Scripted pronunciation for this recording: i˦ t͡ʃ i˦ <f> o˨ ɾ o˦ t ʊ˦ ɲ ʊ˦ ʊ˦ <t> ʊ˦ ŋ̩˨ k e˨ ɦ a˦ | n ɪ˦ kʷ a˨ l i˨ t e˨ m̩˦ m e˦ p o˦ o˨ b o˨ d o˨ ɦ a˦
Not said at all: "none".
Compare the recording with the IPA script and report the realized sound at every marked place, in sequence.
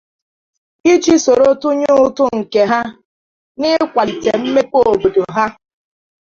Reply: s, t

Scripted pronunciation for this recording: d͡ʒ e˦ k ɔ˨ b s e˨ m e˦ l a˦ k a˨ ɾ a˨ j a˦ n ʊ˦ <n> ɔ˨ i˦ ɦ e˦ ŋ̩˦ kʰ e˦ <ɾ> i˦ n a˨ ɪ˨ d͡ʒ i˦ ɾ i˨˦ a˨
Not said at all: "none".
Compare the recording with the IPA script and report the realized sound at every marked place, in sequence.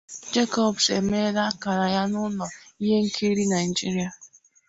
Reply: n, ɾ

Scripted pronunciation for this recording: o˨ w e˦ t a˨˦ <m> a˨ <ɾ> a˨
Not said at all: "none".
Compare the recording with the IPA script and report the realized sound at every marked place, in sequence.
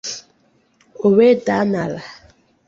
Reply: n, l

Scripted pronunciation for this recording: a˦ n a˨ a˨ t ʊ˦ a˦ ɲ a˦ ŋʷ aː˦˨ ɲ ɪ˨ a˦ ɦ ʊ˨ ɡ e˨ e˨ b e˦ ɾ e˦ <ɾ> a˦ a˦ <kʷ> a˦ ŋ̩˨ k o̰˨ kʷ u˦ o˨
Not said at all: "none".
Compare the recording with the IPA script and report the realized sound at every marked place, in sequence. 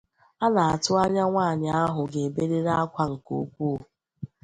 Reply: ɾ, kʷ

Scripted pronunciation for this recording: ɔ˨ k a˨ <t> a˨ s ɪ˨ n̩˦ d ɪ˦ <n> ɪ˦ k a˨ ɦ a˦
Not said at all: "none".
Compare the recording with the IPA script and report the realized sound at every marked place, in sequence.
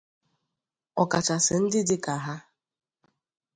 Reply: t͡ʃ, d

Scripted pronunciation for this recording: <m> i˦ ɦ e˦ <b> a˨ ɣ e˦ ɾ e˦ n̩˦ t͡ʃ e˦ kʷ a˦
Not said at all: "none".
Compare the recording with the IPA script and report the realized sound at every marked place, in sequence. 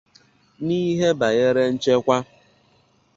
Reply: n, b

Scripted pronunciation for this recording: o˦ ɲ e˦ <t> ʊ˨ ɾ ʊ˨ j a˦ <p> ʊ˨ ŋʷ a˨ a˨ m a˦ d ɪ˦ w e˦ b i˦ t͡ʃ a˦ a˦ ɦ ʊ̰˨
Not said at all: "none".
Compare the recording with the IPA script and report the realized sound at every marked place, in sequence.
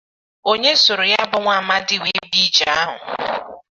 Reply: s, b

